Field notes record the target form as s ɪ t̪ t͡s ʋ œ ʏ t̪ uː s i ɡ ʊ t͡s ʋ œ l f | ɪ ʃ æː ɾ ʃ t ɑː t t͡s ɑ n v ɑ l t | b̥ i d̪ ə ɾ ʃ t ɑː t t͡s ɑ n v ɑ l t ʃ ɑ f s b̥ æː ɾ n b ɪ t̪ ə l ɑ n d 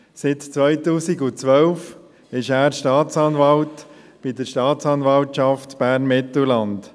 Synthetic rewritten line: s ɪ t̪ t͡s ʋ œ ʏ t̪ uː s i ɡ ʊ t͡s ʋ œ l f | ɪ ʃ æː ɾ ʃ t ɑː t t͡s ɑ n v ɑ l t | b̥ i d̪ ə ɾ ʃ t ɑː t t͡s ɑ n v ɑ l t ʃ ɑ f t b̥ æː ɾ n m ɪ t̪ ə l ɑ n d